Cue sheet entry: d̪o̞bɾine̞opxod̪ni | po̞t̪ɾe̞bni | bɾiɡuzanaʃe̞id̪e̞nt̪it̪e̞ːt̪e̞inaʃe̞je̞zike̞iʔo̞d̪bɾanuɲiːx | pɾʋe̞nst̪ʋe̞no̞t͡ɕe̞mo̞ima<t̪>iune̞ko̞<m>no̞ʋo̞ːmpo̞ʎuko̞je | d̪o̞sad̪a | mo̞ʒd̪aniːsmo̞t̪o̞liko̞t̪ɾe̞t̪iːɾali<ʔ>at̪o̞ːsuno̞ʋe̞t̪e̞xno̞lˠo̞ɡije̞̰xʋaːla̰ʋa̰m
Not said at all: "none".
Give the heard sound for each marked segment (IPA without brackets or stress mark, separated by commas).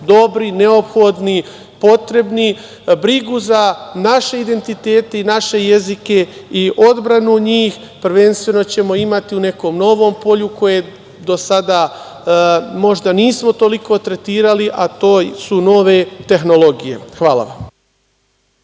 t̪, m, ʔ